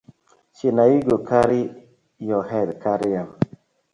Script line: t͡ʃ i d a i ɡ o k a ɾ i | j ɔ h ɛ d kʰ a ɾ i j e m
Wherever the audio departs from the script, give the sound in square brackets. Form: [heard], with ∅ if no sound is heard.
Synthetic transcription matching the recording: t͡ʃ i [n] a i ɡ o k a ɾ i | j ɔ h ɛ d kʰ a ɾ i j [a] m